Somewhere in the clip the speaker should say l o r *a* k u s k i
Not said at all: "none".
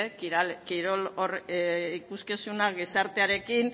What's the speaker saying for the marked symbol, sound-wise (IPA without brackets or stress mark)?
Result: i